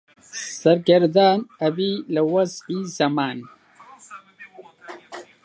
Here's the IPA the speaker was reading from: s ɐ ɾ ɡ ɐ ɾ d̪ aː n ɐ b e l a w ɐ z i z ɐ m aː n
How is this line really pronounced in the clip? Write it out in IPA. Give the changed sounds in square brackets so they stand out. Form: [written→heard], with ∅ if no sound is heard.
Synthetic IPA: s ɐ ɾ ɡ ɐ ɾ d̪ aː n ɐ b [e→i] l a w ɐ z i z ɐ m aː n